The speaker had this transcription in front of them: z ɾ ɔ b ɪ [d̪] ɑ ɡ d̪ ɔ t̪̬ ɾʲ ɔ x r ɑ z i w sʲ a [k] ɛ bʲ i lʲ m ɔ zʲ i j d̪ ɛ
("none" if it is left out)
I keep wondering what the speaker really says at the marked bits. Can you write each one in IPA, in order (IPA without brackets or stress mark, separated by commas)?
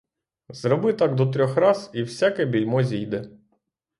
t̪, k